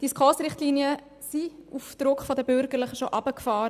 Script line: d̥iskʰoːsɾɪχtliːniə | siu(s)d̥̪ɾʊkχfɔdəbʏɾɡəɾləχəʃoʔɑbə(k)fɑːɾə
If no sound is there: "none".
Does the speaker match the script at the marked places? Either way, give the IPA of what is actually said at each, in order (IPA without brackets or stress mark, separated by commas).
f, k